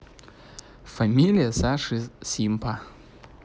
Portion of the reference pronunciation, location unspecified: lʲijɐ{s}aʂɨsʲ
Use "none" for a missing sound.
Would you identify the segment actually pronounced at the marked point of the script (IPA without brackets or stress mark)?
s